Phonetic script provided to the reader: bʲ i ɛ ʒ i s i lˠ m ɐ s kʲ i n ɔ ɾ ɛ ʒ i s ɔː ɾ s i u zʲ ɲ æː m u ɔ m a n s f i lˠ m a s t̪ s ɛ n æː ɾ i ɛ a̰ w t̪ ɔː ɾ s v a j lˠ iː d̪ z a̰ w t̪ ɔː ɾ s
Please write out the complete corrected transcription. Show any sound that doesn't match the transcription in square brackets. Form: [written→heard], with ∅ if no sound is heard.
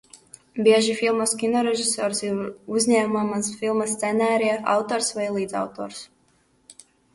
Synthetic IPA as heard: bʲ i ɛ ʒ i [s→f] i lˠ m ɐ s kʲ i n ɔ ɾ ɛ ʒ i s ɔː ɾ s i u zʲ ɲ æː m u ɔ m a n s f i lˠ m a s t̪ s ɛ n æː ɾ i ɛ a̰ w t̪ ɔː ɾ s v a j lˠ iː d̪ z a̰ w t̪ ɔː ɾ s

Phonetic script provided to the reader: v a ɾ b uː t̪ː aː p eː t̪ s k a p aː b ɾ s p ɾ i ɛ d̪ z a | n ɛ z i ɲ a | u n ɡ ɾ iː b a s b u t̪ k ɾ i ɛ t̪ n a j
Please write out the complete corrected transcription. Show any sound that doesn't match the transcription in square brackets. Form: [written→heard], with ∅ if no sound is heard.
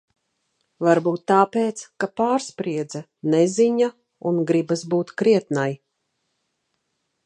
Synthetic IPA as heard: v a ɾ b uː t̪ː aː p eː t̪ s k a p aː [b→∅] ɾ s p ɾ i ɛ d̪ z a | n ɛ z i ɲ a | u n ɡ ɾ [iː→i] b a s b [u→uː] t̪ k ɾ i ɛ t̪ n a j

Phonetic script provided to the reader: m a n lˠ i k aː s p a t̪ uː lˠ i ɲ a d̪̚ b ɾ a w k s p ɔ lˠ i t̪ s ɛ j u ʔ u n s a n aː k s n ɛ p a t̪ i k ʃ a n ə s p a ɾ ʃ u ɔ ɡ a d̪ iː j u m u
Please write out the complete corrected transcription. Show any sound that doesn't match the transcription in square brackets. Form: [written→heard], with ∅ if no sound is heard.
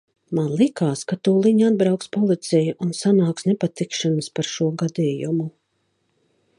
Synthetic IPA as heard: m a n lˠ i k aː s [p→k] a t̪ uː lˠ i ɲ a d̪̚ b ɾ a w k s p ɔ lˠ i t̪ s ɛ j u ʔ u n s a n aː k s n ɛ p a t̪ i k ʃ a n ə s p a ɾ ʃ u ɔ ɡ a d̪ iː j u m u

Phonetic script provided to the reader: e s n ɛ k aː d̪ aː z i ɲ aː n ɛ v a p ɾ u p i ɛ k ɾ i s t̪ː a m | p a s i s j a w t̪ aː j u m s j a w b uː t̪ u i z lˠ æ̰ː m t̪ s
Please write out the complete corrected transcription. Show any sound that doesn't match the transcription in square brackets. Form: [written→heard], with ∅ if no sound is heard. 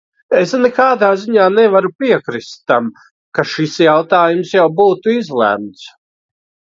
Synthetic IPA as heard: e s n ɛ k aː d̪ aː z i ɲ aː n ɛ v a [p→∅] ɾ u p i ɛ k ɾ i s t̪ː a m | [p→k] a [s→ʃ] i s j a w t̪ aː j u m s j a w b uː t̪ u i z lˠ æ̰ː m t̪ s

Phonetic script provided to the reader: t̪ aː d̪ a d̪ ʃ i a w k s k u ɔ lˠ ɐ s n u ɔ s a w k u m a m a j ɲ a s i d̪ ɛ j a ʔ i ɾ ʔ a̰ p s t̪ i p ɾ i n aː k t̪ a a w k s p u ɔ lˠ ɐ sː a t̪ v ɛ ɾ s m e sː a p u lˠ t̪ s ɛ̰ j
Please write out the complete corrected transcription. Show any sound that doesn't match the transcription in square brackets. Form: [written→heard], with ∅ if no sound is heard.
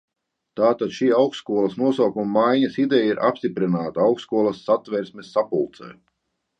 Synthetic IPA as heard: t̪ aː [d̪→t̪] a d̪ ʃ [i→iː] a w k s k u ɔ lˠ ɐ s n u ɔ s a w k u m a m a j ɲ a s i d̪ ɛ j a [ʔ→∅] i ɾ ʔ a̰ p s t̪ i p ɾ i n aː [k→∅] t̪ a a w k s [p→k] u ɔ lˠ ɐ sː a t̪ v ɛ ɾ s m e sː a p u lˠ t̪ s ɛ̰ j

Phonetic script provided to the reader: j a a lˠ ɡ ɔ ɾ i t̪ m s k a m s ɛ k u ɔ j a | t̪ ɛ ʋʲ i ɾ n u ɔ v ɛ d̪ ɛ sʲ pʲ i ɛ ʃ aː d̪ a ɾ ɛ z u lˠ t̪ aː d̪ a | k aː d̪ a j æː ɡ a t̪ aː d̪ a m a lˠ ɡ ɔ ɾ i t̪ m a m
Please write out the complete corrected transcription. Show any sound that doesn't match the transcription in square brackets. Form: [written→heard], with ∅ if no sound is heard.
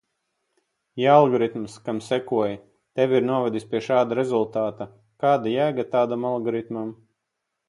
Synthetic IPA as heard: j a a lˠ ɡ ɔ ɾ i t̪ m s k a m s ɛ k u ɔ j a | t̪ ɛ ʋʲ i ɾ n u ɔ v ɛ d̪ [ɛ→i] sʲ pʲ i ɛ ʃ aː d̪ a ɾ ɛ z u lˠ t̪ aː [d̪→t̪] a | k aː d̪ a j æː ɡ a t̪ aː d̪ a m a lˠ ɡ ɔ ɾ i t̪ m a m

